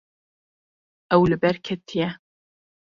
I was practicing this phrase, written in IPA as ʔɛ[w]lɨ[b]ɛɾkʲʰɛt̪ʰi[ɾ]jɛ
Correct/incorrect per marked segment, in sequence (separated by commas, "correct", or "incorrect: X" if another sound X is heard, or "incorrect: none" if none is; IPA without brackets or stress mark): correct, correct, incorrect: none